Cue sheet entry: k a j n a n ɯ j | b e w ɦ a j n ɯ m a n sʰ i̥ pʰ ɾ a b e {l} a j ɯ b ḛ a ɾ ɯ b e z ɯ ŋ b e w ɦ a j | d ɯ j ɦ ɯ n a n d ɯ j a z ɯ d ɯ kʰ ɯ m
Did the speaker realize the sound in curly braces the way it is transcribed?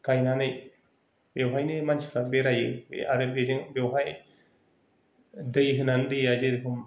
no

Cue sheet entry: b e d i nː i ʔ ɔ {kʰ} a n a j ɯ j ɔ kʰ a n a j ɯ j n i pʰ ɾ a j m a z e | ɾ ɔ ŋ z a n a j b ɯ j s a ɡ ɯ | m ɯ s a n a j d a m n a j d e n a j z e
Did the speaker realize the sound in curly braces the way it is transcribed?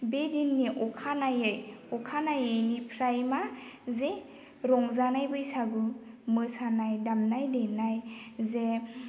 yes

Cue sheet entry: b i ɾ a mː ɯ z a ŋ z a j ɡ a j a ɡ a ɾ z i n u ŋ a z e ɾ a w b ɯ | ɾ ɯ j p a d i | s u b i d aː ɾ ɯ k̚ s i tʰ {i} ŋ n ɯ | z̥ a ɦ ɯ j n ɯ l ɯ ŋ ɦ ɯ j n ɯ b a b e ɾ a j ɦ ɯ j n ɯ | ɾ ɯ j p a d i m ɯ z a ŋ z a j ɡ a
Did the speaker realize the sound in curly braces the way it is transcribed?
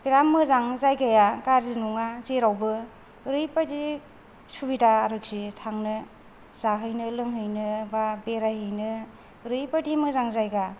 no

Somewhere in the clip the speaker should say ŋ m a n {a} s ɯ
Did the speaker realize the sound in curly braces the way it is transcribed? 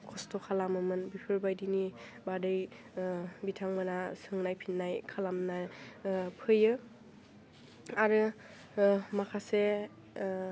yes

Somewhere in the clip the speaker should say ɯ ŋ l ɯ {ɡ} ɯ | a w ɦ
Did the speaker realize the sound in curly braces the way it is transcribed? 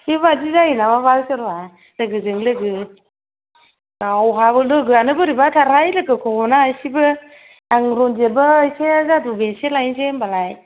yes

